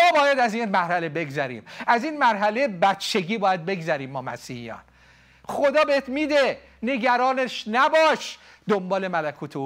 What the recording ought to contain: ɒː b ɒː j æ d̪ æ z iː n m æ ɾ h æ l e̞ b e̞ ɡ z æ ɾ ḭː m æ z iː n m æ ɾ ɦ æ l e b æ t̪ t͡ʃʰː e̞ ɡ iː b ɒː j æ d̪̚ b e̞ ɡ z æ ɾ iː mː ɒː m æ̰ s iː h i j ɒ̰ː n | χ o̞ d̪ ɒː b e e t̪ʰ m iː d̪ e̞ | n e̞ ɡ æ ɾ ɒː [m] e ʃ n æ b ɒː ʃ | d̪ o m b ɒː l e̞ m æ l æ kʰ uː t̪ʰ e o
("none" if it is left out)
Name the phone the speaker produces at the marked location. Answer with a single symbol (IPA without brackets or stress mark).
n